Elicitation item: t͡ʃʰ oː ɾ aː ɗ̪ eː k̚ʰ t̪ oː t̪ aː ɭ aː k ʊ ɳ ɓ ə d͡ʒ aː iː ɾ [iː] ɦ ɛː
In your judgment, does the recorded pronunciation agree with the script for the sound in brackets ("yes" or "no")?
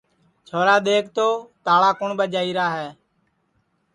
no